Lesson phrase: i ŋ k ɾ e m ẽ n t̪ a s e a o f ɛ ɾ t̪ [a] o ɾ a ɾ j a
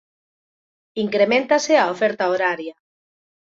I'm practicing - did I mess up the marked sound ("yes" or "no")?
no